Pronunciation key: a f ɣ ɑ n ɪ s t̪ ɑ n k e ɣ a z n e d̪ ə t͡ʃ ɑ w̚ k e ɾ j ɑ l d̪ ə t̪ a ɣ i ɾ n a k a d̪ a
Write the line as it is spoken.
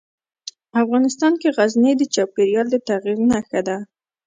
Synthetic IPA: a f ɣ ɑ n ɪ s t̪ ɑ n k e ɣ a z n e d̪ ə t͡ʃ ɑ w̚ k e ɾ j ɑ l d̪ ə t̪ a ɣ i ɾ n a x a d̪ a